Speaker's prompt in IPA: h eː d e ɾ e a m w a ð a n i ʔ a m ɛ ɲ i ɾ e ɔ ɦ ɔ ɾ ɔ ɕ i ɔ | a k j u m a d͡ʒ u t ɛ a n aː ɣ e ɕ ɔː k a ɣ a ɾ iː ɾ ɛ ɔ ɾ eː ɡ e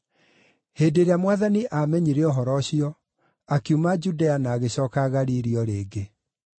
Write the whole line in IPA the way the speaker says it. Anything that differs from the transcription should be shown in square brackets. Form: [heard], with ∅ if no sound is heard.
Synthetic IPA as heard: h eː d e ɾ e a m w a ð a n i ʔ a m ɛ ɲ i ɾ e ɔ ɦ ɔ ɾ ɔ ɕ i ɔ | a k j u m a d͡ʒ u [d] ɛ a n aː ɣ e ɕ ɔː k a ɣ a ɾ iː ɾ [i] ɔ ɾ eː ɡ e